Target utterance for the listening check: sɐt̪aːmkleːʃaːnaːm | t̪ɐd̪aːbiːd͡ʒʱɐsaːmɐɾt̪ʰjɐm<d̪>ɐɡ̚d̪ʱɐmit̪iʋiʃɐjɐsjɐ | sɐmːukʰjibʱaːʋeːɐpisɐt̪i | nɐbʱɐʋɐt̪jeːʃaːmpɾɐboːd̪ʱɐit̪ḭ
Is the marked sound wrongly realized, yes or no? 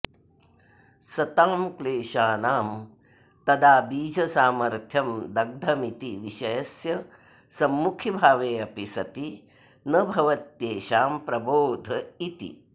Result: no